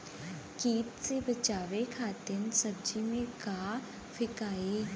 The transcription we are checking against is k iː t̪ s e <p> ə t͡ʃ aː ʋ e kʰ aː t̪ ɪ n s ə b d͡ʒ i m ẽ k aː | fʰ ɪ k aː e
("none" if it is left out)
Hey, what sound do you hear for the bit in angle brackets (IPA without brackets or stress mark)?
b